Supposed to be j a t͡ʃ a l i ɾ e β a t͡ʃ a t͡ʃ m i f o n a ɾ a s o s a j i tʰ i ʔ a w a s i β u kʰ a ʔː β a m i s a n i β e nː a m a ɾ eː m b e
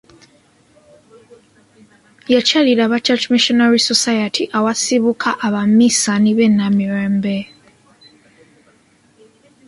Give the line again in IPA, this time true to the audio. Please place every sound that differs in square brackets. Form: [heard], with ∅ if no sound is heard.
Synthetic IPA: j a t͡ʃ a l i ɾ [a] β a t͡ʃ a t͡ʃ m i [ʃ] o n a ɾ [i] s o s a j [a] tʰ i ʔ a w a s i β u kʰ a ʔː β a m i s a n i β e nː a m [i] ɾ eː m b e